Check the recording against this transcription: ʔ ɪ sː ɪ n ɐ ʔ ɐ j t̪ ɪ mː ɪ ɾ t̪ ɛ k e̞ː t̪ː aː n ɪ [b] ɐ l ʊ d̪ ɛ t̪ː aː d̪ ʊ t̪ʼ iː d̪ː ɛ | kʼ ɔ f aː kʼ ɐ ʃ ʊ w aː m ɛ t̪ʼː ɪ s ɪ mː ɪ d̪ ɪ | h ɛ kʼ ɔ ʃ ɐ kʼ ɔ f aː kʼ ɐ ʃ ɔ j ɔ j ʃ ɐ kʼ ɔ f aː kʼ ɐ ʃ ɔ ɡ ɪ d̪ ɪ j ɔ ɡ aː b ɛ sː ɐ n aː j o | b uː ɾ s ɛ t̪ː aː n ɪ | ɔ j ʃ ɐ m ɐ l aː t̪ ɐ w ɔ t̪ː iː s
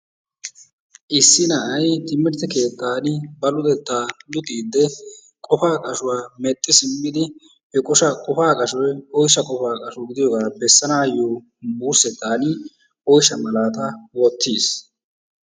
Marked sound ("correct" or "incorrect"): correct